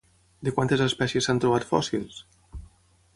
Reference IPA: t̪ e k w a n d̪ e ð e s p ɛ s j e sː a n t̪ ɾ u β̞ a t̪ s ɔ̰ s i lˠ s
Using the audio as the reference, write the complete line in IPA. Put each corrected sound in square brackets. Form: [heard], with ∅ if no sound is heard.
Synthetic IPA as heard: [d̪] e k w a n [t̪] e [z] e s p ɛ s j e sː a n t̪ ɾ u β̞ a t̪ [f] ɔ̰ s i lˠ s